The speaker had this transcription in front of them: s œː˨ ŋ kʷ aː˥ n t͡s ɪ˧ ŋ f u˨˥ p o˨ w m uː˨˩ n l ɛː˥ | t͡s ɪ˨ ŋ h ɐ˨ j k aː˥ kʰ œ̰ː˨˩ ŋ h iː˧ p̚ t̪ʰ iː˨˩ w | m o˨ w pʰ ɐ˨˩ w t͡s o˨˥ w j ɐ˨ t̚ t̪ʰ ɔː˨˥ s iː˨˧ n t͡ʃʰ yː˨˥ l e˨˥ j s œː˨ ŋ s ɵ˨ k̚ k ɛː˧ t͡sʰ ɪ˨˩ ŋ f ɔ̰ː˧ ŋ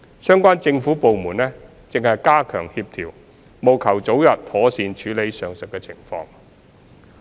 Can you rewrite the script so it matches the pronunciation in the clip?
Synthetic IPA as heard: s œː˥ ŋ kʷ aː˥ n t͡s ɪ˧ ŋ f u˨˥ p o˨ w m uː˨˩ n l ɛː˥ | t͡s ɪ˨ ŋ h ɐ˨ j k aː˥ kʰ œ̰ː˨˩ ŋ h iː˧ p̚ t̪ʰ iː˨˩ w | m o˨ w kʰ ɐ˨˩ w t͡s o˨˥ w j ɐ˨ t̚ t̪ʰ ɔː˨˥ s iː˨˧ n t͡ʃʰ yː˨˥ l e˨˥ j s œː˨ ŋ s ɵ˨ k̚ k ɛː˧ t͡sʰ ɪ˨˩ ŋ f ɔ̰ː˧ ŋ